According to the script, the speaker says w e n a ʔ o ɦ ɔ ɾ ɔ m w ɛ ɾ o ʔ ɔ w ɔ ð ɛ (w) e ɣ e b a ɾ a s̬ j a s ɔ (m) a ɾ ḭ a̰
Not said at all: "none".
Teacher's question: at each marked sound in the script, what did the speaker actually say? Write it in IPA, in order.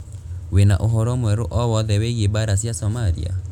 w, m

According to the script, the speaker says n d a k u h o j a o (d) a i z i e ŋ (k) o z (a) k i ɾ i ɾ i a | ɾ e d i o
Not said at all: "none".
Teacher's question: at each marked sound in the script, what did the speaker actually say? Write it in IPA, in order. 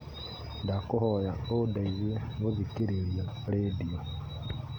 d, ɡ, i

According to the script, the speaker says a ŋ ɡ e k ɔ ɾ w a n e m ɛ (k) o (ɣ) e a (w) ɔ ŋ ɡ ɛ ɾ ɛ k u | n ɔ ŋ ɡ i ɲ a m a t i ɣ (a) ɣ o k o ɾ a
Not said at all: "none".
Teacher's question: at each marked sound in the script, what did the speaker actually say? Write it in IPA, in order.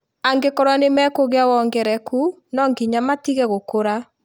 k, ɣ, w, ɛ

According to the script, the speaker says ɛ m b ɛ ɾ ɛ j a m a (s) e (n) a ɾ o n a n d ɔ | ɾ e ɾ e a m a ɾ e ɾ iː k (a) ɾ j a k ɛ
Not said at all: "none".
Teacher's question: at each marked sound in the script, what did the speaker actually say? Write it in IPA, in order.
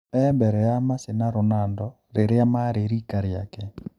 s, n, a

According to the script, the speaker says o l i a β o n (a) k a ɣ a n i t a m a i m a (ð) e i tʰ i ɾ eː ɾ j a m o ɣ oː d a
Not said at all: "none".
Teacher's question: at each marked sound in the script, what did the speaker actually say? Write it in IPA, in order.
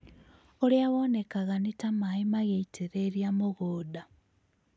e, ɣ

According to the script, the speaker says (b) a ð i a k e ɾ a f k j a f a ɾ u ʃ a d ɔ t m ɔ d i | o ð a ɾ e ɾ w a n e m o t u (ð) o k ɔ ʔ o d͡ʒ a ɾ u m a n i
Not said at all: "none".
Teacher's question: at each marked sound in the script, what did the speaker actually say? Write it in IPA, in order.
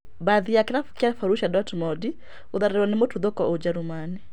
b, ð

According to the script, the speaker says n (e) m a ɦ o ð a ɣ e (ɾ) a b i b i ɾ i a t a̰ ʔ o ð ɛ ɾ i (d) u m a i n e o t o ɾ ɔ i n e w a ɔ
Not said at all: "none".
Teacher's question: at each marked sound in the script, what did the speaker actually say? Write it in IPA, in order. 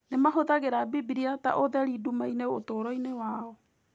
e, ɾ, d

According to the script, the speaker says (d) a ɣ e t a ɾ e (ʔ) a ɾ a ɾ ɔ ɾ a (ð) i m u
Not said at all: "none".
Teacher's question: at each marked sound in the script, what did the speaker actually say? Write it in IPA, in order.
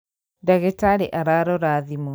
d, ʔ, ð

